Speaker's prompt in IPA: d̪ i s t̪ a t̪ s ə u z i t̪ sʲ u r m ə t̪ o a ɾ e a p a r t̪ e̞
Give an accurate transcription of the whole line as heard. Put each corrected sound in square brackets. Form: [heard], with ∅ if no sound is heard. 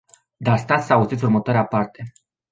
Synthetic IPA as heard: d̪ [a] s t̪ a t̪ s [a] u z i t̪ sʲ u r m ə t̪ o a ɾ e a p a r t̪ e̞